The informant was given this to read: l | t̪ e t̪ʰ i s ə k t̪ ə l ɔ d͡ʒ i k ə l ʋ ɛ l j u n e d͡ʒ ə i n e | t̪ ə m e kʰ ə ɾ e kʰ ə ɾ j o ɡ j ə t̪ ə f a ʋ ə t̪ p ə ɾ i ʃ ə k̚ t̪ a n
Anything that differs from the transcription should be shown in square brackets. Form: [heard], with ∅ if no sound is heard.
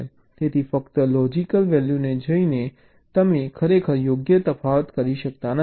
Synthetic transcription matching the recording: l | t̪ e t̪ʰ i [f] ə k t̪ ə l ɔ d͡ʒ i k ə l ʋ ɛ l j u n e d͡ʒ ə i n e | t̪ ə m e kʰ ə ɾ e kʰ ə ɾ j o ɡ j ə t̪ ə f a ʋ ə t̪ [k] ə ɾ i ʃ ə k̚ t̪ a n